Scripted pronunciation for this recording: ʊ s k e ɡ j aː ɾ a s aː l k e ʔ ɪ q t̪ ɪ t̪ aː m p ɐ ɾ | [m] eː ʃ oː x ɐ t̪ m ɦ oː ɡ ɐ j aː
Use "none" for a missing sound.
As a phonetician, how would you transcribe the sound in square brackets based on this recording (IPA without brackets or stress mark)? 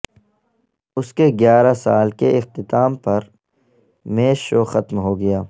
m